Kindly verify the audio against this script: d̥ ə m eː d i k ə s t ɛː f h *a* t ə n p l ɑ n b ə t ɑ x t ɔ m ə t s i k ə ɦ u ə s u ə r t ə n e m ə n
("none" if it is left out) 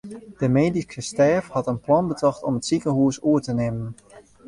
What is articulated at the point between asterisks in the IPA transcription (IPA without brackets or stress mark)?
ɑ